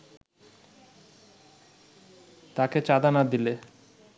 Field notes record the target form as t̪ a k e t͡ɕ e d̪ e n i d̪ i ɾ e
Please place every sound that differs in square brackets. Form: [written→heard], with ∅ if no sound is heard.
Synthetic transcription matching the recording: t̪ a k e t͡ɕ [e→a] d̪ [e→a] n [i→a] d̪ i [ɾ→l] e